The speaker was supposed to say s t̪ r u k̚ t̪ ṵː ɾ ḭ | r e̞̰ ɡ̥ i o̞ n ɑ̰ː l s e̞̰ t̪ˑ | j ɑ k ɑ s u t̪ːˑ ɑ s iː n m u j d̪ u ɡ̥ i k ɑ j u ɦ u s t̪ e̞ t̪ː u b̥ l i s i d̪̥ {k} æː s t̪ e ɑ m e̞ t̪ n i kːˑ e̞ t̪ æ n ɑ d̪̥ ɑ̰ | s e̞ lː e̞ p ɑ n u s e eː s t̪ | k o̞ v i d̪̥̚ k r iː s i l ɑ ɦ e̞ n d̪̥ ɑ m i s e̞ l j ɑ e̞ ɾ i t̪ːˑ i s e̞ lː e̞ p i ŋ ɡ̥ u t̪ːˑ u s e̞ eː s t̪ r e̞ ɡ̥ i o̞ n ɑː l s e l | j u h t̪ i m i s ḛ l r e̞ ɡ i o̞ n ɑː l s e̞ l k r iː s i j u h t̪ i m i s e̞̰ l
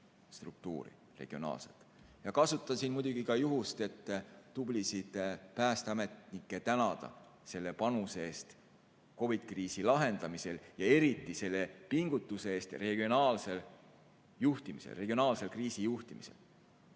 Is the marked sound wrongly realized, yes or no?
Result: yes